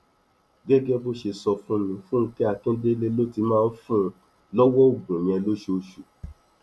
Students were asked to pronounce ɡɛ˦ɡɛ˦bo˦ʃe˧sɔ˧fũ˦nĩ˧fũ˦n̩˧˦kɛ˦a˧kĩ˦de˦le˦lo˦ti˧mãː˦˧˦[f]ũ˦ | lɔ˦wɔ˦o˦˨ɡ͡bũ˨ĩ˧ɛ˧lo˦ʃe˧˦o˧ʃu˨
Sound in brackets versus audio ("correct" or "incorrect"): correct